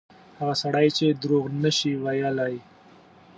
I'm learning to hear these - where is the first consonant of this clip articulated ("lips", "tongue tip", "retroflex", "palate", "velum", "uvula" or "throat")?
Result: throat